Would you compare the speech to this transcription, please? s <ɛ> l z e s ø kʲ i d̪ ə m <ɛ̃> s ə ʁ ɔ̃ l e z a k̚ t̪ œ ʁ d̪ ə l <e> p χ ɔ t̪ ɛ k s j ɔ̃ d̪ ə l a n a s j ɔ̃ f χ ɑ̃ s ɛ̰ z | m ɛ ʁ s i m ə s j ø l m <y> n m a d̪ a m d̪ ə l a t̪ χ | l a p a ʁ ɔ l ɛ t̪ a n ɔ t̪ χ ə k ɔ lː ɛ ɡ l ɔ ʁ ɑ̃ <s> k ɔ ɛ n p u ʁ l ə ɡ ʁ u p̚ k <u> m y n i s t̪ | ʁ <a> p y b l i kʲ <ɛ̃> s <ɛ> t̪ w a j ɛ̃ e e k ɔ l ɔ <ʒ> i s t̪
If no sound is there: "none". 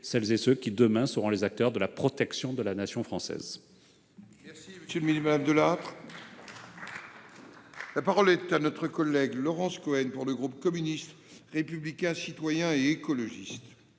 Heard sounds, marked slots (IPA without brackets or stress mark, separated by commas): ɛ, ɛ̃, a, i, s, ɔ, e, ɛ̃, i, ʒ